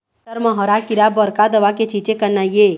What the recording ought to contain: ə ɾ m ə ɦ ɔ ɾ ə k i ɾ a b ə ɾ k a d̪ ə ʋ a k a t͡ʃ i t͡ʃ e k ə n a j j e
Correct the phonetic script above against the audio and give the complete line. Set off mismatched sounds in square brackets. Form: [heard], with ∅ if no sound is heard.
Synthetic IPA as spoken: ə ɾ m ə ɦ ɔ ɾ [a] k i ɾ a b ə ɾ k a d̪ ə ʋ a k [e] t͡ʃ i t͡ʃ e k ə n a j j e